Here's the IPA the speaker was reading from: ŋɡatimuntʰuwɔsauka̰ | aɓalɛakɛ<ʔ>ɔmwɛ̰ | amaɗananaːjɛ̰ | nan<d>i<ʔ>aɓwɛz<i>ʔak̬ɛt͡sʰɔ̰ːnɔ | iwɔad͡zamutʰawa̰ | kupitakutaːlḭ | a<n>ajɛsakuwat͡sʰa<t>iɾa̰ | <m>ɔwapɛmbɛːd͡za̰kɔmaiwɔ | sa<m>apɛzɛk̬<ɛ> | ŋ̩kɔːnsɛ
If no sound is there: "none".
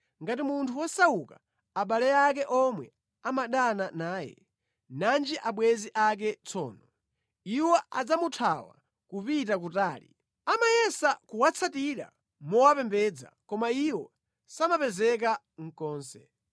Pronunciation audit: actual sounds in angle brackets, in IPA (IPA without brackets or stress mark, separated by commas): ʔ, d͡ʒ, ʔ, i, m, t, m, m, a